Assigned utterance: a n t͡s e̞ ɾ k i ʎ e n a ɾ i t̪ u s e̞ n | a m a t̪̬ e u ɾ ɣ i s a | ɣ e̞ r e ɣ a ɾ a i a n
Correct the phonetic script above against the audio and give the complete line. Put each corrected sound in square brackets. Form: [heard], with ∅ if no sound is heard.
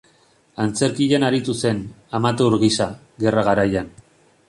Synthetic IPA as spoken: a n t͡s e̞ ɾ k i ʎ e n a ɾ i t̪ u s e̞ n | a m a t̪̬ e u ɾ ɣ i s a | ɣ e̞ r [a] ɣ a ɾ a [j] a n